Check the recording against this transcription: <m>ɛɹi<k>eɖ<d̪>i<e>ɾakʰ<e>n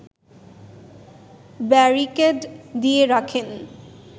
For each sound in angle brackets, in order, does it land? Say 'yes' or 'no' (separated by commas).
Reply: no, yes, yes, yes, yes